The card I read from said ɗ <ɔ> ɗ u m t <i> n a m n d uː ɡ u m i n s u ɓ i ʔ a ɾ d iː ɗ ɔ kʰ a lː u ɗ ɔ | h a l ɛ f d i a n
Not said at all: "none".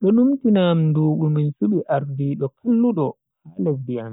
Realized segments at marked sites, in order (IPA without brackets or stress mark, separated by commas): ɔ, i